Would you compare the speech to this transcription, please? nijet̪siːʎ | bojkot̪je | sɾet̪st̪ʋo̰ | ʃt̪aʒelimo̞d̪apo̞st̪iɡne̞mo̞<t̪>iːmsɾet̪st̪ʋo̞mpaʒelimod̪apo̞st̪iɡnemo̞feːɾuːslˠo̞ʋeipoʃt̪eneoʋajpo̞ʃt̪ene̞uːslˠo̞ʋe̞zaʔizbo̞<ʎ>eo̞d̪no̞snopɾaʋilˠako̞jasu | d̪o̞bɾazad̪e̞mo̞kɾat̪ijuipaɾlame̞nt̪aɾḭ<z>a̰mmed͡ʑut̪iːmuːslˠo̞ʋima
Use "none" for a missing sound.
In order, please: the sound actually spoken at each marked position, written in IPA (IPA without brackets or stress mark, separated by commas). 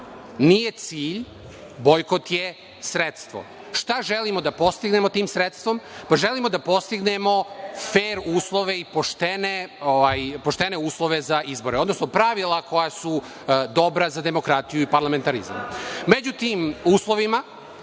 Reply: t̪, ɾ, z